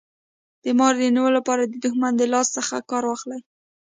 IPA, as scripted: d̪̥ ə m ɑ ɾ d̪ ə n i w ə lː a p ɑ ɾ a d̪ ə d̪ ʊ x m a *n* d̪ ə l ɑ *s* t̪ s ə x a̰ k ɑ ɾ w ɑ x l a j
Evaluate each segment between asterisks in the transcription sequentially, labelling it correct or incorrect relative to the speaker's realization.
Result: correct, correct

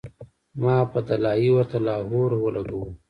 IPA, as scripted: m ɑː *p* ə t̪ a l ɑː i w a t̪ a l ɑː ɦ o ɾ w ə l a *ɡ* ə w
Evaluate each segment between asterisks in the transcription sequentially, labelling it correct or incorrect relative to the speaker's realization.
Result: correct, correct

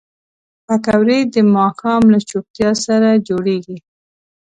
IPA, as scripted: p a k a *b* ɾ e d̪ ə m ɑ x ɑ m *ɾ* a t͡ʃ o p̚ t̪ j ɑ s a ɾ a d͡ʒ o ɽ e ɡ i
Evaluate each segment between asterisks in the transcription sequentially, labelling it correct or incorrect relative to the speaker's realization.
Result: incorrect: w, incorrect: l

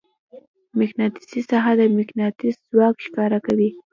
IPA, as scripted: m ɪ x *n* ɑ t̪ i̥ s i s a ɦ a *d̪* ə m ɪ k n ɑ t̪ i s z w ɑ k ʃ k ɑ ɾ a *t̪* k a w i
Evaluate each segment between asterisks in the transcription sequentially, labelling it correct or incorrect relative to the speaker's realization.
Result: correct, correct, incorrect: none

